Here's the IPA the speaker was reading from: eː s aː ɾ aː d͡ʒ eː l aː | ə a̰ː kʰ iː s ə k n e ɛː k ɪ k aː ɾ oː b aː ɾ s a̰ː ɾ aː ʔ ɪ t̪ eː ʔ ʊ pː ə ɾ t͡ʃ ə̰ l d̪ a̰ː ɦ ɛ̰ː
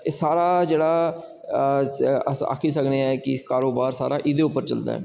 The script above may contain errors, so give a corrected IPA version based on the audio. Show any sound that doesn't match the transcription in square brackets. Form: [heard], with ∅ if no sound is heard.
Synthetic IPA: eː s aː ɾ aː d͡ʒ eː [ɽ] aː | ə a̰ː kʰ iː s ə k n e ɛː k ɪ k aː ɾ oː b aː ɾ s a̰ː ɾ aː ʔ ɪ [d̪] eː [∅] ʊ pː ə ɾ t͡ʃ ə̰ l d̪ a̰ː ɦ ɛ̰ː

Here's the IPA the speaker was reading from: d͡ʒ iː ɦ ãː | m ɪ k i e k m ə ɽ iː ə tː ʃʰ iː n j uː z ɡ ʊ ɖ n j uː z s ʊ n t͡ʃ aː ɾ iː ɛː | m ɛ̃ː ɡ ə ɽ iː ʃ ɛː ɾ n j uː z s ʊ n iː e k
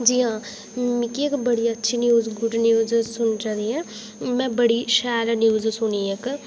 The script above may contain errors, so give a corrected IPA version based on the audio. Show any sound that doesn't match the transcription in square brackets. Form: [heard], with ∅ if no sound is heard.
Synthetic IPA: d͡ʒ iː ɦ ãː | m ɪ k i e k [b] ə ɽ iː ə tː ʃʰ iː n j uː z ɡ ʊ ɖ n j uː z s ʊ n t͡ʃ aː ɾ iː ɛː | m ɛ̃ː [b] ə ɽ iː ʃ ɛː ɾ n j uː z s ʊ n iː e k

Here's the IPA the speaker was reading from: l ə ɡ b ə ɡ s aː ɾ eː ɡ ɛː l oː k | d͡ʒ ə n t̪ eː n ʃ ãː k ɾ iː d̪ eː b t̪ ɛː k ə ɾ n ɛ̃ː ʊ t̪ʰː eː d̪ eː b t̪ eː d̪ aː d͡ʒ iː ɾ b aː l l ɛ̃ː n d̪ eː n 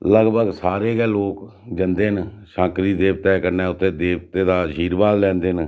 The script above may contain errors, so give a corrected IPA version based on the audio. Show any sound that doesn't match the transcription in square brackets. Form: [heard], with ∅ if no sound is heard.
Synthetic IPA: l ə ɡ b ə ɡ s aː ɾ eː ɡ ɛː l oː k | d͡ʒ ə n [d̪] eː n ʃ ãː k ɾ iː d̪ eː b t̪ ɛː k ə ɾ n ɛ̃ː ʊ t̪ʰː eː d̪ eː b t̪ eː d̪ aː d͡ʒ iː ɾ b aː l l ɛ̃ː n d̪ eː n

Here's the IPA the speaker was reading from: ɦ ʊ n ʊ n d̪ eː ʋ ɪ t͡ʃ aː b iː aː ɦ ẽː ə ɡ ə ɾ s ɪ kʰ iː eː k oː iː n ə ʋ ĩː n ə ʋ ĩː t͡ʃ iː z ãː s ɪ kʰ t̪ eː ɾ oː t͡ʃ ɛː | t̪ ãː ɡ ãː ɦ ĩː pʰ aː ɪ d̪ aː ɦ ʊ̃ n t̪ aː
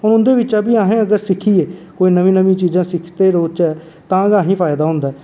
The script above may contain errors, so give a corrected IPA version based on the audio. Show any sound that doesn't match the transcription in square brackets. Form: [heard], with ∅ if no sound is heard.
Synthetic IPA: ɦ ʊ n ʊ n d̪ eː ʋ ɪ t͡ʃ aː b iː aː ɦ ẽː ə ɡ ə ɾ s ɪ kʰ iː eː k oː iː n ə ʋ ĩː n ə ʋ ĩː t͡ʃ iː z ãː s ɪ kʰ t̪ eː ɾ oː t͡ʃ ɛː | t̪ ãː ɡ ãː ɦ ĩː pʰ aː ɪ d̪ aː ɦ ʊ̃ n [d̪] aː

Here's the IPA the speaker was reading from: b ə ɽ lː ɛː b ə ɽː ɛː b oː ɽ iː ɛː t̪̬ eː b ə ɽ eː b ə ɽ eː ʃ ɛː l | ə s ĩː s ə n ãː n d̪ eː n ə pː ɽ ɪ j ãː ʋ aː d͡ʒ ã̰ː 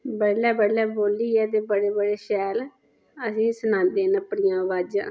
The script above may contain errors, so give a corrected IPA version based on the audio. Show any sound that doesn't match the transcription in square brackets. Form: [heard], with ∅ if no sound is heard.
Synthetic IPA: b ə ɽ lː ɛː b ə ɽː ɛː b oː [l] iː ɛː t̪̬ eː b ə ɽ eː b ə ɽ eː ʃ ɛː l | ə s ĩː s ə n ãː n d̪ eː n ə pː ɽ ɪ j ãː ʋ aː d͡ʒ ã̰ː

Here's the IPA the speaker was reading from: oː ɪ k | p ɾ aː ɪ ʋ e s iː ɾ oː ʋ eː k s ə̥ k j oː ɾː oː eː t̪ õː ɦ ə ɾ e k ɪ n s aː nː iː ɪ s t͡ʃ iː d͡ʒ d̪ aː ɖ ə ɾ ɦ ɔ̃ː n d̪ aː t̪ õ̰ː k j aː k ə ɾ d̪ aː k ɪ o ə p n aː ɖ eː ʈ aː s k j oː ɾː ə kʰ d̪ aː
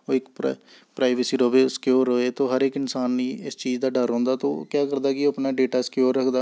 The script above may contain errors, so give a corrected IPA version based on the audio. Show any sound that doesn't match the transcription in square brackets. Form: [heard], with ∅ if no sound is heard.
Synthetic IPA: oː ɪ k | p ɾ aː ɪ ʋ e s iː ɾ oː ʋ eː [∅] s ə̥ k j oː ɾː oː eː t̪ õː ɦ ə ɾ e k ɪ n s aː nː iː ɪ s t͡ʃ iː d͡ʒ d̪ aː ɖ ə ɾ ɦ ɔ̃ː n d̪ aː t̪ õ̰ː k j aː k ə ɾ d̪ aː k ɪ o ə p n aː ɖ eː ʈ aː s k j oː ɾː ə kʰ d̪ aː

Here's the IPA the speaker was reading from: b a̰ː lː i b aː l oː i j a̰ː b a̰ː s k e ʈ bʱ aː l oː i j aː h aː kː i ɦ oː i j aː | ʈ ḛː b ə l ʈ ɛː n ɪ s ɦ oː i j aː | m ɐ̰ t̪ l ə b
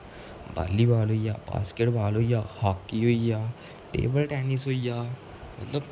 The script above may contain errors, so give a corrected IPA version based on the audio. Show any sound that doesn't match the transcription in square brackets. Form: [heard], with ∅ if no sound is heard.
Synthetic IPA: b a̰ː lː i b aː l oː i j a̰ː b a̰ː s k e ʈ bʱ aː l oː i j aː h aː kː i ɦ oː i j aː | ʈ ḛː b ə l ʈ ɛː n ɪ s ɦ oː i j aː | m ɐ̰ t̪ l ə b

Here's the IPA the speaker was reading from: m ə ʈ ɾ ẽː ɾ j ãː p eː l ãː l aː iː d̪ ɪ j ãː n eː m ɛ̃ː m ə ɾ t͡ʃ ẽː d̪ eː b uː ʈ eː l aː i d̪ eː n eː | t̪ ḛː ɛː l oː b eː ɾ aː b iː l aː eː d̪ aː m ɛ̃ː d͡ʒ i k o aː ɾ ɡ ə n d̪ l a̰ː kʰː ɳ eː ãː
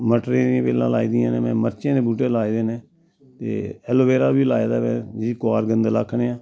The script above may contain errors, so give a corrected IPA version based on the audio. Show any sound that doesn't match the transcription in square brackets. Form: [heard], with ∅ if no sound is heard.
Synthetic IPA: m ə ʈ ɾ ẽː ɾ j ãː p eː l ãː l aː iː d̪ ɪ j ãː n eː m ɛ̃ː m ə ɾ t͡ʃ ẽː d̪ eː b uː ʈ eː l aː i d̪ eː n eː | t̪ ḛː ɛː l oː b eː ɾ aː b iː l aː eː d̪ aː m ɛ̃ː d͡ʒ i k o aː ɾ ɡ ə n d̪ l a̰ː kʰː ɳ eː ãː

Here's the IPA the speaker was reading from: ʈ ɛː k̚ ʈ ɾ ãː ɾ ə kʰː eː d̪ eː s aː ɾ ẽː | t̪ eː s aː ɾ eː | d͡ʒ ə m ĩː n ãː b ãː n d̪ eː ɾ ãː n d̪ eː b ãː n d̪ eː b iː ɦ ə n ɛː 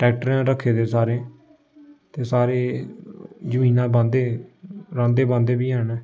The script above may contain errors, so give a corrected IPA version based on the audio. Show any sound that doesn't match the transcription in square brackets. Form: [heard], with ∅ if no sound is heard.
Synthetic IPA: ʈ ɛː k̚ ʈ ɾ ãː ɾ ə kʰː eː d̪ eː s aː ɾ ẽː | t̪ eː s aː ɾ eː | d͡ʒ ə m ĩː n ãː b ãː n d̪ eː ɾ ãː n d̪ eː b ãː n d̪ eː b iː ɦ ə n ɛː

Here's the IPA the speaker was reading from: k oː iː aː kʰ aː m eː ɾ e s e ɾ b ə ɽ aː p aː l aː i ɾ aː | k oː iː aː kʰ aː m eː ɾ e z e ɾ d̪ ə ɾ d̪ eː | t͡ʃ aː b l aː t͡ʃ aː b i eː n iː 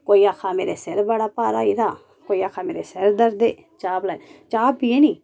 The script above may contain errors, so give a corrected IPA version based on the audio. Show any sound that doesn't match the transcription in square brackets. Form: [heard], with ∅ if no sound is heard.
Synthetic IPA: k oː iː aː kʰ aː m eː ɾ e s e ɾ b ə ɽ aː p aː [ɾ] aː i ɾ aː | k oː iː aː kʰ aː m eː ɾ e [s] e ɾ d̪ ə ɾ d̪ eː | t͡ʃ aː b l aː t͡ʃ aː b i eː n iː

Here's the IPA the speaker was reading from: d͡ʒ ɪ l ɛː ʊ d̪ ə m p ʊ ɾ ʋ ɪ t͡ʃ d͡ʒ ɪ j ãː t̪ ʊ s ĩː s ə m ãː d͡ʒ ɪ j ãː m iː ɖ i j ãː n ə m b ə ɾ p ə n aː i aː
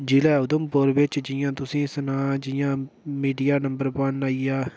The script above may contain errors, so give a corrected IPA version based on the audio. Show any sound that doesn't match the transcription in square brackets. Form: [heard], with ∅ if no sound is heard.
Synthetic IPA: d͡ʒ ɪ l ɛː ʊ d̪ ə m p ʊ ɾ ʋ ɪ t͡ʃ d͡ʒ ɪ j ãː t̪ ʊ s ĩː s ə [n] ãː d͡ʒ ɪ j ãː m iː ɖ i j [aː] n ə m b ə ɾ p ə n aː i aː

